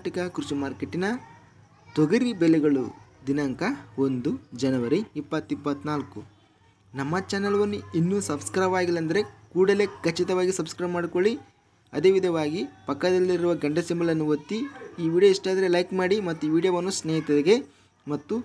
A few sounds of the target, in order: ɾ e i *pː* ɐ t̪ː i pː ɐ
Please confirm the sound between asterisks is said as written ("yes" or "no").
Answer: yes